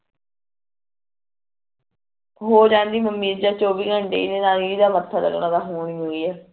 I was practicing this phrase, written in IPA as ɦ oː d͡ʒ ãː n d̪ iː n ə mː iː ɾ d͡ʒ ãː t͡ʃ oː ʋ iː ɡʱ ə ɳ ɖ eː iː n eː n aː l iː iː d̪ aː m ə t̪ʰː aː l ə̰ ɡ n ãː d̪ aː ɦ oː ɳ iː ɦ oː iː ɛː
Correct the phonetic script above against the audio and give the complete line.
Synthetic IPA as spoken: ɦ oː d͡ʒ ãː n d̪ iː m ə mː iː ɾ d͡ʒ aː t͡ʃ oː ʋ iː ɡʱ ə ɳ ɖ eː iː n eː n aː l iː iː d̪ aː m ə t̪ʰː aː l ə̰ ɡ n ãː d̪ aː ɦ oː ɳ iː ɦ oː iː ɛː